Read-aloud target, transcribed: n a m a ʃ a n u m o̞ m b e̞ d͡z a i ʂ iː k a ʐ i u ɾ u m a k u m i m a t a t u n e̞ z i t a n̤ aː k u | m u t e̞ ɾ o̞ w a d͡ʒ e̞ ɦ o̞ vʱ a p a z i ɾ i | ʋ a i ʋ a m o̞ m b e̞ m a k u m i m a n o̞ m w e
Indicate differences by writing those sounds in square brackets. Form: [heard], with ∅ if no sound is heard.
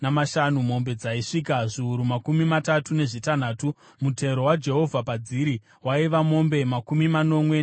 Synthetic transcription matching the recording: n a m a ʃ a n u m o̞ m b e̞ d͡z a i ʂ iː k a ʐ i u ɾ u m a k u m i m a t a t u n e̞ [ʐ] i t a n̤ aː [t] u | m u t e̞ ɾ o̞ w a d͡ʒ e̞ ɦ o̞ vʱ a p a [d͡z] i ɾ i | [w] a i ʋ a m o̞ m b e̞ m a k u m i m a n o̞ m w e